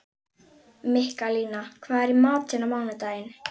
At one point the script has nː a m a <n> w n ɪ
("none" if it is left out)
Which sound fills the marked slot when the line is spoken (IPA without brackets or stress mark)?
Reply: none